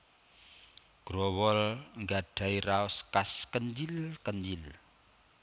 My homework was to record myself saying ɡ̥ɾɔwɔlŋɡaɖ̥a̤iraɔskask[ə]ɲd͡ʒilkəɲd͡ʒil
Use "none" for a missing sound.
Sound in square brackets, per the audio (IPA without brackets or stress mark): ə